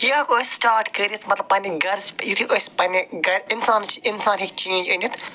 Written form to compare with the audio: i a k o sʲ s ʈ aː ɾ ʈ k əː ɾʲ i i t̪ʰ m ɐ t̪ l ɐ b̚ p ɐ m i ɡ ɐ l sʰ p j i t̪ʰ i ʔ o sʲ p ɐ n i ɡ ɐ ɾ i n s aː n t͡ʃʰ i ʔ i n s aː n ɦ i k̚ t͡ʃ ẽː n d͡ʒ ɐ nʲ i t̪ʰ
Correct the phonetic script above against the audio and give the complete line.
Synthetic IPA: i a k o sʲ s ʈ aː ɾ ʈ k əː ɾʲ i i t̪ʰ m ɐ t̪ l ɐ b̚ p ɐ n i ɡ ɐ ɾ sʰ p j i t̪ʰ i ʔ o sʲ p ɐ n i ɡ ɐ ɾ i n s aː n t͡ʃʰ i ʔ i n s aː n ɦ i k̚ t͡ʃ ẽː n d͡ʒ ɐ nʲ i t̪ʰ